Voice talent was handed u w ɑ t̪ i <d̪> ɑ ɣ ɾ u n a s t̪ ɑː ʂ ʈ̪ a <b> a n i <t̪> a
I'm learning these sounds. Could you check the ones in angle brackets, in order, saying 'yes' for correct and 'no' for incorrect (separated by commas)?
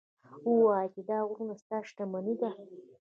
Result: yes, no, no